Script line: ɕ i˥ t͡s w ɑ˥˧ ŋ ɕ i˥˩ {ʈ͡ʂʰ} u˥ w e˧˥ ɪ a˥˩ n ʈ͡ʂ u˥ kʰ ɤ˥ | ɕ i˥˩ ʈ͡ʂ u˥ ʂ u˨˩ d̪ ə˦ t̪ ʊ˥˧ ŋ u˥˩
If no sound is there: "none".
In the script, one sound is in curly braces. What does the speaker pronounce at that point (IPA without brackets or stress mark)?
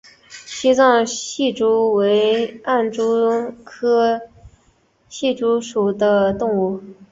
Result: ʈ͡ʂ